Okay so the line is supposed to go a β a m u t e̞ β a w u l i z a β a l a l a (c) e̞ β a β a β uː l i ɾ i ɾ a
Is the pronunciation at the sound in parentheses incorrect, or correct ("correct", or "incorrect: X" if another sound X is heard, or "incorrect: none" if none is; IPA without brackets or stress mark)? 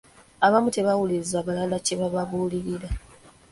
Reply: correct